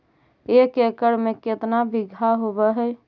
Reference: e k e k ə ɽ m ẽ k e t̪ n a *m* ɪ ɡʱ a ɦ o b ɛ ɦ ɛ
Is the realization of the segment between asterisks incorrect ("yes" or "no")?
yes